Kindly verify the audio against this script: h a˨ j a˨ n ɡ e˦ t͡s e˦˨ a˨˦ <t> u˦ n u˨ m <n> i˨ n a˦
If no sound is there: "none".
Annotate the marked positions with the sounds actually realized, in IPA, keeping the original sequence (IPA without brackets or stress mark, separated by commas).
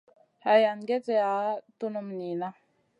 t, n